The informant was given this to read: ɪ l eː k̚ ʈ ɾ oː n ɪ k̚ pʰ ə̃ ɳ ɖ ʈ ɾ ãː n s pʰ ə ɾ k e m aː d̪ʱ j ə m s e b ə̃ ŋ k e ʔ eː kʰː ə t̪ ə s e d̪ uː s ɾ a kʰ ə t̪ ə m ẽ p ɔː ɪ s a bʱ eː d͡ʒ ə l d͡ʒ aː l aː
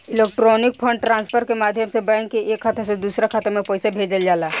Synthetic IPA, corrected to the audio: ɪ l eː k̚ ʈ ɾ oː n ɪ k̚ pʰ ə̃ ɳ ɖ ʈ ɾ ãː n s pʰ ə ɾ k e m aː d̪ʱ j ə m s e b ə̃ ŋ k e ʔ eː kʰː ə t̪ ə s e d̪ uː s ɾ a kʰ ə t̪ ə m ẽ p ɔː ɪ s a bʱ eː d͡ʒ ə l d͡ʒ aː l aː